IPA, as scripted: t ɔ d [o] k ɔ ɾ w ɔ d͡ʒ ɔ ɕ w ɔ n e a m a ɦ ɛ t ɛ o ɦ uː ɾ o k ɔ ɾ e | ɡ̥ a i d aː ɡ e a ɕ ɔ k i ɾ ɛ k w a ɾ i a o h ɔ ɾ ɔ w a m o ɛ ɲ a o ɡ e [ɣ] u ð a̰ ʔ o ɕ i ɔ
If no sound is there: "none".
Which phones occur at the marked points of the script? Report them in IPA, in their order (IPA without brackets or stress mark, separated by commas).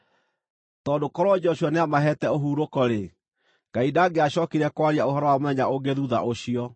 o, ð